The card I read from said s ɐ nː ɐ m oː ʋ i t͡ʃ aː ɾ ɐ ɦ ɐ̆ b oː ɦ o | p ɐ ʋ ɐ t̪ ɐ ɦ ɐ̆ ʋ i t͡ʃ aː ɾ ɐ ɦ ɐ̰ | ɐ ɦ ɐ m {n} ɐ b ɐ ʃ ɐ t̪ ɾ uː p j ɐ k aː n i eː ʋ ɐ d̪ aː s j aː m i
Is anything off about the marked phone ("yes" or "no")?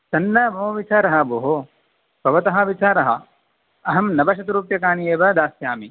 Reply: no